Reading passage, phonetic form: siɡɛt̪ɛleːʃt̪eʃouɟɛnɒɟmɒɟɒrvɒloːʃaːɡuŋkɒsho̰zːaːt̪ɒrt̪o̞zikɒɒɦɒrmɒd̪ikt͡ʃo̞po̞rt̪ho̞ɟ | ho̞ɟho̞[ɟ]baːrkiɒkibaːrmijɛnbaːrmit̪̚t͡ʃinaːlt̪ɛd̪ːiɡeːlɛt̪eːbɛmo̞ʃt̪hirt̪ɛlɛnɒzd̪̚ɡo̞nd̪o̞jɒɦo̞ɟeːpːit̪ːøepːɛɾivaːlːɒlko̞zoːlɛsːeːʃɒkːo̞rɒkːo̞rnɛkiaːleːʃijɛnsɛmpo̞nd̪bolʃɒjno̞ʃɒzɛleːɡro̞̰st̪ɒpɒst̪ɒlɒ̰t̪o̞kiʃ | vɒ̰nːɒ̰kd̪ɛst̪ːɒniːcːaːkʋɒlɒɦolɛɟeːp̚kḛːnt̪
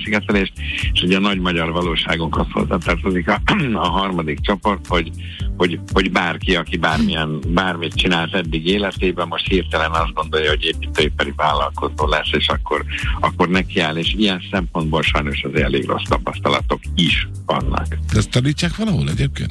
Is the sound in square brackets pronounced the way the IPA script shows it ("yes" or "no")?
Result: yes